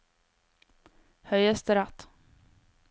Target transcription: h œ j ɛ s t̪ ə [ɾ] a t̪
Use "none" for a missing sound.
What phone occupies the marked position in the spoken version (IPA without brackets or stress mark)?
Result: ɾ